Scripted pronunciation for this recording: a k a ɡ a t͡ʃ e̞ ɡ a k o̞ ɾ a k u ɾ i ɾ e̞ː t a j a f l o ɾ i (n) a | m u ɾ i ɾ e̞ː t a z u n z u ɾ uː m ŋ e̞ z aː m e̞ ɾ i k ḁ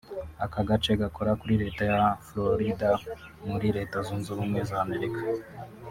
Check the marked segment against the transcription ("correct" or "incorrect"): incorrect